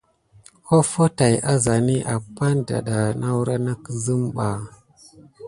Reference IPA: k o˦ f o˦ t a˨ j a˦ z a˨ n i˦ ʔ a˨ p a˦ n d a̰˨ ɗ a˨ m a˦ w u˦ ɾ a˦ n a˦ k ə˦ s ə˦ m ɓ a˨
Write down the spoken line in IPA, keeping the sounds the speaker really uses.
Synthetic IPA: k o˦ f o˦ t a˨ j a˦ z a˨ n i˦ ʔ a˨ p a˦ n d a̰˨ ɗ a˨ n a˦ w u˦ ɾ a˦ n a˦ k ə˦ z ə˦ m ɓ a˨